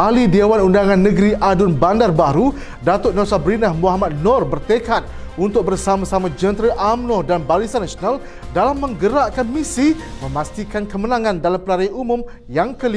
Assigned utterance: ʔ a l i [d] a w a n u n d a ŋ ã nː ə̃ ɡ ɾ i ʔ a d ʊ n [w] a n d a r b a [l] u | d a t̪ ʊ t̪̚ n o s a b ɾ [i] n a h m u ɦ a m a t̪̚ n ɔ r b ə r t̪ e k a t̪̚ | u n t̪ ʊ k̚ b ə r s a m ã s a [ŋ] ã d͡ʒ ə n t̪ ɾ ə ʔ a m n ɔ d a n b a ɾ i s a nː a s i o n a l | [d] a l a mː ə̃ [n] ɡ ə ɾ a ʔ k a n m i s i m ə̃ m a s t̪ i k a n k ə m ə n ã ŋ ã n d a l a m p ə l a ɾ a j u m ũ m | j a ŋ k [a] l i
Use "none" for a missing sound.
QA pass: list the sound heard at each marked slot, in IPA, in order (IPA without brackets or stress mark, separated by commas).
d, b, ɾ, i, m, d, ŋ, ə